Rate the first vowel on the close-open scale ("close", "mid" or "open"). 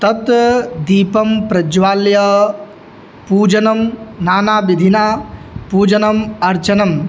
open